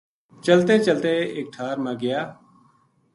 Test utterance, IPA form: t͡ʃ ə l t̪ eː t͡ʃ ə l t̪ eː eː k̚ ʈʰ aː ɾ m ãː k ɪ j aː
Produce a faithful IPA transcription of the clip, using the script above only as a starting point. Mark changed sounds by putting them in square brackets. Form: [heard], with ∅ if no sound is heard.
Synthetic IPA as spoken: t͡ʃ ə l t̪ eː t͡ʃ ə l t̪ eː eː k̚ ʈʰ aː ɾ m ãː [ɡ] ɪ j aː